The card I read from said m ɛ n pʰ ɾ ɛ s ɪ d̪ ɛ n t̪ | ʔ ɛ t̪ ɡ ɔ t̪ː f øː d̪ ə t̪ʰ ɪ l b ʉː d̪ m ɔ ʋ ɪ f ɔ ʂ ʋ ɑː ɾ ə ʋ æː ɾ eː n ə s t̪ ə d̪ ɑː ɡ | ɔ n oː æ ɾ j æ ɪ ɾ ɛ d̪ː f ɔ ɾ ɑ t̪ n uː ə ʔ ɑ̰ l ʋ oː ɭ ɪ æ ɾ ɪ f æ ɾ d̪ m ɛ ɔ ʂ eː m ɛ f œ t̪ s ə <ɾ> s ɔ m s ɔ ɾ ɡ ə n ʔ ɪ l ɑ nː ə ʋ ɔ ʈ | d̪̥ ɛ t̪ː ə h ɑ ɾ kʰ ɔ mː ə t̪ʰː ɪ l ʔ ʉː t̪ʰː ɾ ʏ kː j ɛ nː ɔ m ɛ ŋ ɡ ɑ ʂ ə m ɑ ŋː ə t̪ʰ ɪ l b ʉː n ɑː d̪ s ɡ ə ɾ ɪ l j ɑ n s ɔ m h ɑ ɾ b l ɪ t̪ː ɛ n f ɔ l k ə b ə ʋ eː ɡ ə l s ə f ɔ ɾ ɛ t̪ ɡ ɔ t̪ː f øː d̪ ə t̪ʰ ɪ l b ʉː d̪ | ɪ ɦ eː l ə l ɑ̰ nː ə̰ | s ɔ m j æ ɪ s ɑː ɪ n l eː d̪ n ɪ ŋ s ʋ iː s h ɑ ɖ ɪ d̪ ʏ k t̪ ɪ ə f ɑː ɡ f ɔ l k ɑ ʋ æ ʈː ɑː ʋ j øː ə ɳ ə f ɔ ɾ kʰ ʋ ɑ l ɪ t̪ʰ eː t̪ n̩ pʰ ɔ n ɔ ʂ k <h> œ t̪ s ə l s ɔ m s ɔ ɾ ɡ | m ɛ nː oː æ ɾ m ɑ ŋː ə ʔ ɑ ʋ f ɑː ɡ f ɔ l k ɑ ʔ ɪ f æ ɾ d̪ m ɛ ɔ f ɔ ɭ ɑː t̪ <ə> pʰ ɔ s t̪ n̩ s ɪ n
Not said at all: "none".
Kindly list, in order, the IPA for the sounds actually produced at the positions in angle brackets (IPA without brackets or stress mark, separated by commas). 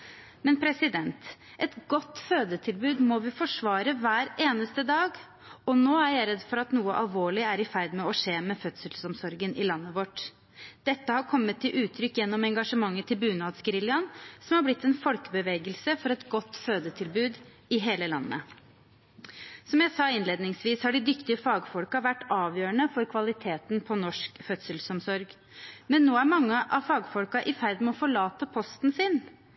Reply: l, f, ə